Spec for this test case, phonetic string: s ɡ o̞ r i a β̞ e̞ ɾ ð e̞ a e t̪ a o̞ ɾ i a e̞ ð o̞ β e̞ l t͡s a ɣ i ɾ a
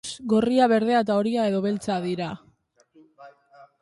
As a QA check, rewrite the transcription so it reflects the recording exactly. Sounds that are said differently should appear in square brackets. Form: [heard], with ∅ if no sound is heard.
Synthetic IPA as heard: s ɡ o̞ r i a β̞ e̞ ɾ ð e̞ a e t̪ a o̞ ɾ i a e̞ ð o̞ β e̞ l t͡s a [ð] i ɾ a